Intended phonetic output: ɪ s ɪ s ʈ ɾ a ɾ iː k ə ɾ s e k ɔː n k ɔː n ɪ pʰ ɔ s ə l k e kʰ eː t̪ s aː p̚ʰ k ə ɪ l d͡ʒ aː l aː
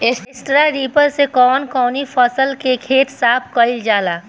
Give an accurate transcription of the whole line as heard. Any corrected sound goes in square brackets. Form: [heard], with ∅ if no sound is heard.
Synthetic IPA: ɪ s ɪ s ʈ ɾ a ɾ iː [p] ə ɾ s e k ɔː n k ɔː n [i] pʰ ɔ s ə l k e kʰ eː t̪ s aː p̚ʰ k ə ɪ l d͡ʒ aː l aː